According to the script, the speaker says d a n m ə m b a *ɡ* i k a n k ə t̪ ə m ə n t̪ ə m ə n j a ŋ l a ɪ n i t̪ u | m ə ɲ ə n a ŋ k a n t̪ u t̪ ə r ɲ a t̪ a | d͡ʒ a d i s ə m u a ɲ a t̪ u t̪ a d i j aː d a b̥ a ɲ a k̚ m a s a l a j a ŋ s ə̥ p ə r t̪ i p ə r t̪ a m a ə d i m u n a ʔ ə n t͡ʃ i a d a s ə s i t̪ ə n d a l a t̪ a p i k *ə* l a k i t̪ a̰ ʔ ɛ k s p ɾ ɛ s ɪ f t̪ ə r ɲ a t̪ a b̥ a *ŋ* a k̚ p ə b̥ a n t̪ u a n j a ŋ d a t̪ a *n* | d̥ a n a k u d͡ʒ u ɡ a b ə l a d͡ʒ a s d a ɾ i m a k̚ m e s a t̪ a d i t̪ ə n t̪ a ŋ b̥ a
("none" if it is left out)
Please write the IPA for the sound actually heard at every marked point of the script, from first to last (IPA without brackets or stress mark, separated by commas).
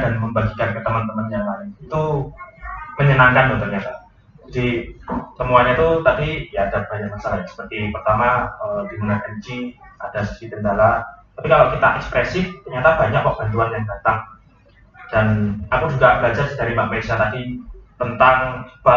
ɡ, a, ɲ, ŋ